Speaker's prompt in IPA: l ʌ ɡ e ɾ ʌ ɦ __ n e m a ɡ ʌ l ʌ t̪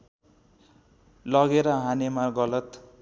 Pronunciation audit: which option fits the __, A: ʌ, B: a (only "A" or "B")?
B